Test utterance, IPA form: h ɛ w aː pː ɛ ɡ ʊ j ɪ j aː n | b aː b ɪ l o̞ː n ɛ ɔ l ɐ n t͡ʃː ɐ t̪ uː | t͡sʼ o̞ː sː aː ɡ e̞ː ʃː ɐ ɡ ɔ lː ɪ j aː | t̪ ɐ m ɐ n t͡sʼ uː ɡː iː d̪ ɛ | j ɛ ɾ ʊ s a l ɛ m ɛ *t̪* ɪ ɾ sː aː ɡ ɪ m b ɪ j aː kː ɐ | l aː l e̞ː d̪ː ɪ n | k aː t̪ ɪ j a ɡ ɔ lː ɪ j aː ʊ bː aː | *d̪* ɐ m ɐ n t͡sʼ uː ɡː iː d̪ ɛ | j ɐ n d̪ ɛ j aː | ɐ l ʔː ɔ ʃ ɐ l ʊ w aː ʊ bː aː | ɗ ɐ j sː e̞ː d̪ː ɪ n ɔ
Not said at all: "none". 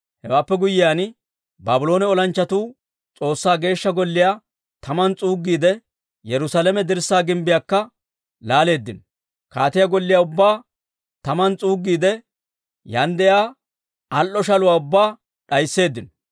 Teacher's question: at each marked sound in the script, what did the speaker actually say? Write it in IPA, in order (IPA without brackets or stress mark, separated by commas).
d̪, t̪